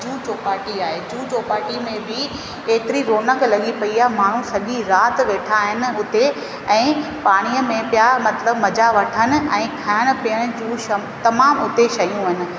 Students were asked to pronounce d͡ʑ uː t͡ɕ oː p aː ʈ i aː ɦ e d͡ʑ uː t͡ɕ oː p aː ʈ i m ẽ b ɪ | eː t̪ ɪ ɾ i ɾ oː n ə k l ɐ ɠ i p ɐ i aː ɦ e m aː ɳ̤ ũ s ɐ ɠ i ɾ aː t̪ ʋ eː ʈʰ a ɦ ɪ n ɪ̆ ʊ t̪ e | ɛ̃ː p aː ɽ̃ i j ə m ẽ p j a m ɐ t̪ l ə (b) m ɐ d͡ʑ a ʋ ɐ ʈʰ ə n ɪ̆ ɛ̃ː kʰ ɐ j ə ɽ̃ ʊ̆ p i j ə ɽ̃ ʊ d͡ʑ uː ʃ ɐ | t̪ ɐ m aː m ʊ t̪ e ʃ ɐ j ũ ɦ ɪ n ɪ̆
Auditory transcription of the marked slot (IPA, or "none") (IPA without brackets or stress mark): b